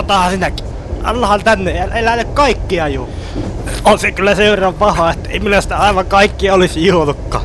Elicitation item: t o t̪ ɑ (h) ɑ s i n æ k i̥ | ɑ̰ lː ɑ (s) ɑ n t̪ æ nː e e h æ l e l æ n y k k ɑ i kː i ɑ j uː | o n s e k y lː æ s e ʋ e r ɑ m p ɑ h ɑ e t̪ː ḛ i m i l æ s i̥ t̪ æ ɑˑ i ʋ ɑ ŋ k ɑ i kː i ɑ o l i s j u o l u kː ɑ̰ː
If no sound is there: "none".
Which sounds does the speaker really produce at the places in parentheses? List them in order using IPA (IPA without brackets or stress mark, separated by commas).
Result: h, h